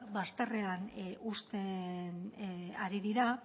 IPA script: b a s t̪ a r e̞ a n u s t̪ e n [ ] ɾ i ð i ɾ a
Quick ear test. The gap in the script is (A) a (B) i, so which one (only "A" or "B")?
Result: A